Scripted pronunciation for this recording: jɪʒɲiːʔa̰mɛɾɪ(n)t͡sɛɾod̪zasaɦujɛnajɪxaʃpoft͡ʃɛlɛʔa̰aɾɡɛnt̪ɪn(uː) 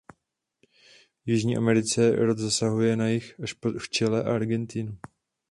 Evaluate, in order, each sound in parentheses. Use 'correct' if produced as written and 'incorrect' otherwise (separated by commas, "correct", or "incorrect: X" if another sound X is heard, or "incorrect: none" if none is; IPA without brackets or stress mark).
incorrect: none, incorrect: u